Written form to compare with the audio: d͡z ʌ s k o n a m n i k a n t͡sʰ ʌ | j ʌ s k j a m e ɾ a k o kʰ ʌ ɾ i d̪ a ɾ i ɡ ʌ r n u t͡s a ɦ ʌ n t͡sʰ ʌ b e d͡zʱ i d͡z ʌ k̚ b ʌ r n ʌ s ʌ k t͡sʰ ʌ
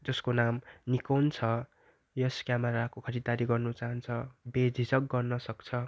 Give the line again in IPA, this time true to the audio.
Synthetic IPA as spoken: d͡z ʌ s k o n a m n i k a n t͡sʰ ʌ | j ʌ s k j a m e ɾ a k o kʰ ʌ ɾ i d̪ a ɾ i ɡ ʌ r n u t͡s a ɦ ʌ n t͡sʰ ʌ b e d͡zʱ i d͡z ʌ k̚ ɡ ʌ r n ʌ s ʌ k t͡sʰ ʌ